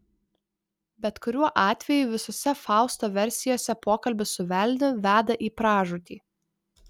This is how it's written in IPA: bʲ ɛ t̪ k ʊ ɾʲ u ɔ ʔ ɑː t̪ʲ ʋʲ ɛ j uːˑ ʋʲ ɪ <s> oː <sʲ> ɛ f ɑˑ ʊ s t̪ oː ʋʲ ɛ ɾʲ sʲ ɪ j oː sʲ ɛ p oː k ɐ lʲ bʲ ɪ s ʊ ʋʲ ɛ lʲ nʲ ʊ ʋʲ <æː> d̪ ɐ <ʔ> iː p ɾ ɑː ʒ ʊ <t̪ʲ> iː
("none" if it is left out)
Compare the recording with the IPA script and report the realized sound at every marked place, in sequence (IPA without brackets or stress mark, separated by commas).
s, sʲ, æː, ʔ, t̪ʲ